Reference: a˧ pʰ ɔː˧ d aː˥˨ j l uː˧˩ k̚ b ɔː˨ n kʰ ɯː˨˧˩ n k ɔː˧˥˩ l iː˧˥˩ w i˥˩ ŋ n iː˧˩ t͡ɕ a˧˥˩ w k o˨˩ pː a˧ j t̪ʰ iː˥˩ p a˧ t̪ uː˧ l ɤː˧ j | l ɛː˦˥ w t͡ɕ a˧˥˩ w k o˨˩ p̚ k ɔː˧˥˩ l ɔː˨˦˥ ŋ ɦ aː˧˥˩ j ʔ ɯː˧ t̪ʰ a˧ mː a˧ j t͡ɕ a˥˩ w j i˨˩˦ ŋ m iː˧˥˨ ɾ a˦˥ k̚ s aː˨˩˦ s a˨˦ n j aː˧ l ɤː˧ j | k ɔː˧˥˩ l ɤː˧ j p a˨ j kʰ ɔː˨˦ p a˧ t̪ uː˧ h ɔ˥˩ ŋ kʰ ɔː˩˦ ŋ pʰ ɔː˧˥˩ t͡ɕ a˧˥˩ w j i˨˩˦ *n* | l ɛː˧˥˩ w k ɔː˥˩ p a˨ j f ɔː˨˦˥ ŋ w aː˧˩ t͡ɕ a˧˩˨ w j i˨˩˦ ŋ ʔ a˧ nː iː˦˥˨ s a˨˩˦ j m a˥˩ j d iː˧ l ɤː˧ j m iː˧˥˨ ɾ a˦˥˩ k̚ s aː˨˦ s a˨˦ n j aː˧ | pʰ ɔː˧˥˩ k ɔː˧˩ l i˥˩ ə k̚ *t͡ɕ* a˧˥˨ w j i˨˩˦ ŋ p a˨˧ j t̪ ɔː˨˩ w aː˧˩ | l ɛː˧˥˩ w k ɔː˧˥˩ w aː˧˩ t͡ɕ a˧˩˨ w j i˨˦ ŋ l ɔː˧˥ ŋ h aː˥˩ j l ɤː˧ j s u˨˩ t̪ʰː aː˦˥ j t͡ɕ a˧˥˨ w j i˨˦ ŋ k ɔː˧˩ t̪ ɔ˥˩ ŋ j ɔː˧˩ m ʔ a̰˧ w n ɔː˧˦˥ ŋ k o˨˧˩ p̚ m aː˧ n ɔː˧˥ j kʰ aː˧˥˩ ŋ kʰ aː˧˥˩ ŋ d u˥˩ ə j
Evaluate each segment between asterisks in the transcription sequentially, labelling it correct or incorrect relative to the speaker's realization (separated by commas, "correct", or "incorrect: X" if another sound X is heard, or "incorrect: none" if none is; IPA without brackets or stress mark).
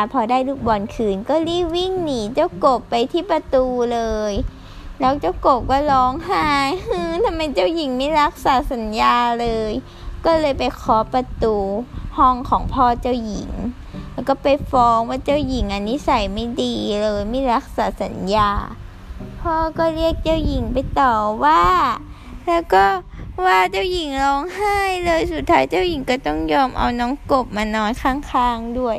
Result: incorrect: ŋ, correct